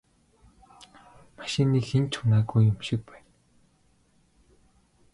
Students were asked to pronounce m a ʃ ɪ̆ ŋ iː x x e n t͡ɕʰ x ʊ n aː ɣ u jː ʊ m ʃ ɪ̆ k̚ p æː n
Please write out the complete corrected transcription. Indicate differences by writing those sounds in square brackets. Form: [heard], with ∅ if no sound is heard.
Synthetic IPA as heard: m a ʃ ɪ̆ [n] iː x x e n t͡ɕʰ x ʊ n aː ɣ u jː ʊ m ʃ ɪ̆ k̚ p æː n